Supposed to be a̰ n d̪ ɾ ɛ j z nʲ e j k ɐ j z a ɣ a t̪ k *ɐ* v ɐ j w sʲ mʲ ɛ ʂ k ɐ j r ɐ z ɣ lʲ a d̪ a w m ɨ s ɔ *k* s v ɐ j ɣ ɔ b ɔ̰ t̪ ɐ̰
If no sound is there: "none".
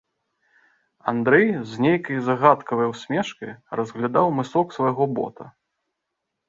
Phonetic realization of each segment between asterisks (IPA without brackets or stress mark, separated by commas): ɐ, k